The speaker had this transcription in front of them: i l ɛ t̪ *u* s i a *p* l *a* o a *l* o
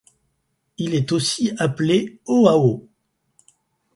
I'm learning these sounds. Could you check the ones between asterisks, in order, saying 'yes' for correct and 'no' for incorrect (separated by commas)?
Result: no, yes, no, no